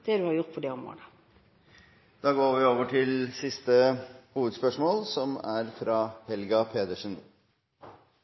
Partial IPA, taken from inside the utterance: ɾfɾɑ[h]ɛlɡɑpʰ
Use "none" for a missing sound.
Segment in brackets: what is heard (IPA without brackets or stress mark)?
h